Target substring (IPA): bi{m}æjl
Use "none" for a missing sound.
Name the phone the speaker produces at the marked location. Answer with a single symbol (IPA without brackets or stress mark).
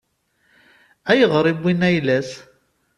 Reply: n